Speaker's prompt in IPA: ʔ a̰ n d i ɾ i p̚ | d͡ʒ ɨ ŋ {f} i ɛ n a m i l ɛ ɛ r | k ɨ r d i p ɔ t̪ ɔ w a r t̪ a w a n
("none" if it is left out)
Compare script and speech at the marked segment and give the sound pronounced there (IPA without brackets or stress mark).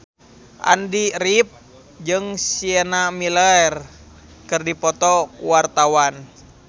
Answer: s